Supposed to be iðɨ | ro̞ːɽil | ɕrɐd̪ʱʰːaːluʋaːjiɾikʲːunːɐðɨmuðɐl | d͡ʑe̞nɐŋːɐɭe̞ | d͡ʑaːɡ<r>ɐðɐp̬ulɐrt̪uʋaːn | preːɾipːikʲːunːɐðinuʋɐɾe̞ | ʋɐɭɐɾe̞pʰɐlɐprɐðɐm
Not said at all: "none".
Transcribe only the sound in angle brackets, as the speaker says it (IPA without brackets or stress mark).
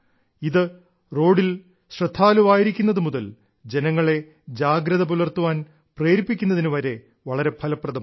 ɾ